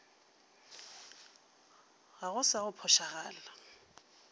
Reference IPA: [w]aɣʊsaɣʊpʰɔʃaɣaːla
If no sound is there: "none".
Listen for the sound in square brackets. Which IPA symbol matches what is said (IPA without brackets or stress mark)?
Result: ɣ